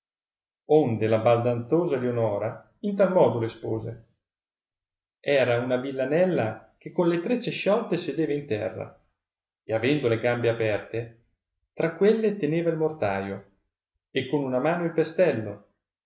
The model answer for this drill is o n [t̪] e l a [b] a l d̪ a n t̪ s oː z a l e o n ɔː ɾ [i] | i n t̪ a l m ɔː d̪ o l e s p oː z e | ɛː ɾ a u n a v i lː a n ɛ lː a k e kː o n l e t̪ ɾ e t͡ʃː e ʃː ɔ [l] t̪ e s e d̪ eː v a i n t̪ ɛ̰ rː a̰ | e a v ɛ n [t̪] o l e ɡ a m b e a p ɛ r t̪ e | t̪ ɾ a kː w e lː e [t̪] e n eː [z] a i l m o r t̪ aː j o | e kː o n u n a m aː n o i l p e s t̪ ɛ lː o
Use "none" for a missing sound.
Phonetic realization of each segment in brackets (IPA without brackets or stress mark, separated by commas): d̪, b, a, l, d̪, t̪, v